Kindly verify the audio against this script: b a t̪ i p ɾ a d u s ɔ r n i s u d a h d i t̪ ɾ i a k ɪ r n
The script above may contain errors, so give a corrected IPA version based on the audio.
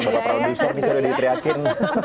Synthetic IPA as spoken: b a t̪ a p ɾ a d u s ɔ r n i s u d a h d i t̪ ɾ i a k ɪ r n